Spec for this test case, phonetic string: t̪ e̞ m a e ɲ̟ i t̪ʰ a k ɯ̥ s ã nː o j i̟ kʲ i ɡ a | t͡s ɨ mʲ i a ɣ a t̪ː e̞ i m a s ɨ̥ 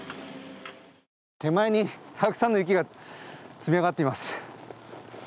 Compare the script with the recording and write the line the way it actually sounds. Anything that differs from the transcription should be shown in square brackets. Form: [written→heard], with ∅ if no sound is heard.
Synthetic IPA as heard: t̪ e̞ m a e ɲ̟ i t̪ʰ a k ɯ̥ s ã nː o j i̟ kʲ i ɡ a | t͡s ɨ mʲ i a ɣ a t̪ː e̞ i m a s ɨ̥